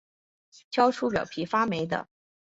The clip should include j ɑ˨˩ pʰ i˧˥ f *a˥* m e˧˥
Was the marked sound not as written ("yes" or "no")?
no